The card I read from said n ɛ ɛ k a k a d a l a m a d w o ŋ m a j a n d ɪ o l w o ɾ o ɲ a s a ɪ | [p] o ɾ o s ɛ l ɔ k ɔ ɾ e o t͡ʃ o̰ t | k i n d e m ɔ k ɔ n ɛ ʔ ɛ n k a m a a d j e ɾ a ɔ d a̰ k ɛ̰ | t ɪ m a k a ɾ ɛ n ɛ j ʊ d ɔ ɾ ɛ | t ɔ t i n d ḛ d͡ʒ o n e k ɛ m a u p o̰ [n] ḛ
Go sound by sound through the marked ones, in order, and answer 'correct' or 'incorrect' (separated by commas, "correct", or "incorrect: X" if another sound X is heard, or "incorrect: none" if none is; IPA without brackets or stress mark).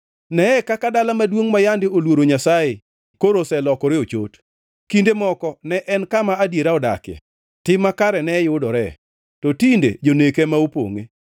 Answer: incorrect: k, incorrect: ŋ